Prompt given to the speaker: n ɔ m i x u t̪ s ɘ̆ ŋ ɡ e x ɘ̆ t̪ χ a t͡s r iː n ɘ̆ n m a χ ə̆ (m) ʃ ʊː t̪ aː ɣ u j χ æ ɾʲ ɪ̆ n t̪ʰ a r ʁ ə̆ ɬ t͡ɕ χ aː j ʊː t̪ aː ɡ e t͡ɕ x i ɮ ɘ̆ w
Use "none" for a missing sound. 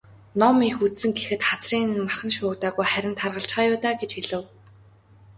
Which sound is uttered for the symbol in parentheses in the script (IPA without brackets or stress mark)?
n